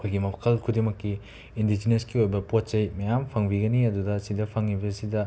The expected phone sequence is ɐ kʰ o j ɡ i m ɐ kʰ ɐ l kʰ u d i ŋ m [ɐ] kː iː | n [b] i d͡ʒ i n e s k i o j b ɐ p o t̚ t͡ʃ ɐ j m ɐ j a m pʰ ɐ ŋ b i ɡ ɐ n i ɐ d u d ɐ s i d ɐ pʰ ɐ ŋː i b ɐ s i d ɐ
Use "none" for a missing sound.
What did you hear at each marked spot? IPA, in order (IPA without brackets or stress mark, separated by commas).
ɐ, d